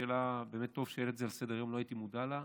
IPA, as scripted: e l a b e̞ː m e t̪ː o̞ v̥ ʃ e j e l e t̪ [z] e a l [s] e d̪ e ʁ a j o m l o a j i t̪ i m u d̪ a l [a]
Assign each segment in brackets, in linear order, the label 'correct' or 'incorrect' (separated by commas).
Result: correct, correct, correct